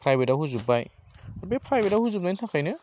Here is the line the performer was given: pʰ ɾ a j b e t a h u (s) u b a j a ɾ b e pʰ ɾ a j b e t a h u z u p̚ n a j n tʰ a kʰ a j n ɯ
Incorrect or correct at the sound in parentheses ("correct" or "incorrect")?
incorrect